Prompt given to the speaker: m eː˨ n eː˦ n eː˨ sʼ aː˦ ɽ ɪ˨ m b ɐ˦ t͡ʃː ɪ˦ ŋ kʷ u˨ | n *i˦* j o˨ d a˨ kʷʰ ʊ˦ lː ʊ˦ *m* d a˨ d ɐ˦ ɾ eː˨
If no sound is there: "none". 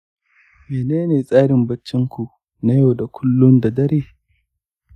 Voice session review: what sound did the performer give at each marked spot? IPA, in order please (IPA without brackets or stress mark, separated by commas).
a˦, n